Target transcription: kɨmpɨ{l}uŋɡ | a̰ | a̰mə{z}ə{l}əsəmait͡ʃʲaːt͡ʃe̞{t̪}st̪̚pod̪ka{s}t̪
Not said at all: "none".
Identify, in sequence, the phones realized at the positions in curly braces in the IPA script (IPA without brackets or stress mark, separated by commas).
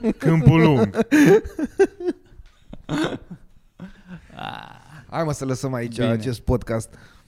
l, s, l, none, s